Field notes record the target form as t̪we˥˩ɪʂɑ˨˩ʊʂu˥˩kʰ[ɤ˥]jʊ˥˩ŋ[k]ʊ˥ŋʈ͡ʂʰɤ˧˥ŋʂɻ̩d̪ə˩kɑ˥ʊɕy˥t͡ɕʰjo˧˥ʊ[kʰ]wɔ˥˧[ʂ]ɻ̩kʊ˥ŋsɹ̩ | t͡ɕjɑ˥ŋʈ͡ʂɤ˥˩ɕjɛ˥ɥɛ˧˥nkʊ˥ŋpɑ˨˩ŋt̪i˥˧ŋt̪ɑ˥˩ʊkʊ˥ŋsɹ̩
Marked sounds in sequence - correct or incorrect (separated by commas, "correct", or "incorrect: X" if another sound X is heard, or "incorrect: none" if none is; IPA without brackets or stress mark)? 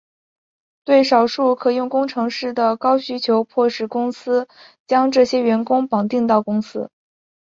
incorrect: ɤ˨˩, correct, incorrect: pʰ, correct